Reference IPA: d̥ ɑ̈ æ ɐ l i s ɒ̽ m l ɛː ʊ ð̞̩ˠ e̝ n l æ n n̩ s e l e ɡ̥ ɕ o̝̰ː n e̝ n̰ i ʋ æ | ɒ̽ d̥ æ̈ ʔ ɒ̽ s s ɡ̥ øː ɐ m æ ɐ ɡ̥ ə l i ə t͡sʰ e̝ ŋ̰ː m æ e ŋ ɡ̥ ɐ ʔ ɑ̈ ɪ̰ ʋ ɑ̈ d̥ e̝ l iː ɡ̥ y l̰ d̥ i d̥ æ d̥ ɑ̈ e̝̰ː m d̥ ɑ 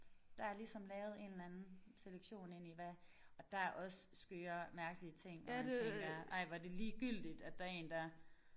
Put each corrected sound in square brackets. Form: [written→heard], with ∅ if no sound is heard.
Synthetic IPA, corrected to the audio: d̥ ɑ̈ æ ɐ l i s ɒ̽ m l ɛː ʊ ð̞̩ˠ e̝ n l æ n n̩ s e l e ɡ̥ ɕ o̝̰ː n e̝ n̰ i ʋ æ | ɒ̽ d̥ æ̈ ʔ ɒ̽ s s ɡ̥ øː ɐ m æ ɐ ɡ̥ ə l i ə t͡sʰ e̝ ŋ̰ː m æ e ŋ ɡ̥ ɐ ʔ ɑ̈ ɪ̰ ʋ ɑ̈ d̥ e̝ l iː ɡ̥ y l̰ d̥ i d̥ æ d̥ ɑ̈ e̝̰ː [m→n] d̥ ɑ